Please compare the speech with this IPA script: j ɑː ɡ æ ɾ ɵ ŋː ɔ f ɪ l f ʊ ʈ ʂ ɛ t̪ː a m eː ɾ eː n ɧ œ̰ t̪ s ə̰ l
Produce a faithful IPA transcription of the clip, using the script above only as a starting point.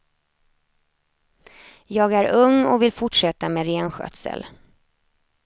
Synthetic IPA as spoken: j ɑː ɡ æ ɾ ɵ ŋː ɔ v ɪ l f ʊ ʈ ʂ ɛ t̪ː a m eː ɾ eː n ɧ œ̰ t̪ s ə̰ l